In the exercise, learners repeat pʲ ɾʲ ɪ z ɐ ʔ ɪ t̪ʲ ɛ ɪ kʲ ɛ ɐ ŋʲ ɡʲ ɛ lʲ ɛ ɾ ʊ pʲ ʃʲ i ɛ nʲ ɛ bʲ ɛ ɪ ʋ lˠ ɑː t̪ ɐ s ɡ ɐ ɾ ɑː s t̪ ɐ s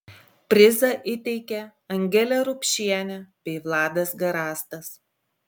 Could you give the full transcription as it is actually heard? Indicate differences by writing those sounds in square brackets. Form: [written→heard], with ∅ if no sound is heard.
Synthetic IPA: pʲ ɾʲ ɪ z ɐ ʔ ɪ t̪ʲ ɛ ɪ kʲ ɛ ɐ ŋʲ ɡʲ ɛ lʲ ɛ ɾ ʊ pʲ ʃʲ i ɛ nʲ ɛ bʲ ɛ ɪ ʋ lˠ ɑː [t̪→d̪] ɐ s ɡ ɐ ɾ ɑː s t̪ ɐ s